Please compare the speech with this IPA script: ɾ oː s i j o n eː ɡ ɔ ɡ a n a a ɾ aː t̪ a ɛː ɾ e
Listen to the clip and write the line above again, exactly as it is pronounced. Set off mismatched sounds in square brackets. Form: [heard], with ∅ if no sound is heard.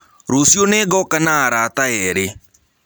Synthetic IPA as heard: ɾ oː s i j o n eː ɡ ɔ [k] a n a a ɾ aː t̪ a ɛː ɾ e